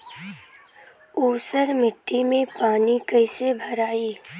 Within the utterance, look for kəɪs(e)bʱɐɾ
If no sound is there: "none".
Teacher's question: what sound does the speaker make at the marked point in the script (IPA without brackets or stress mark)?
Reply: e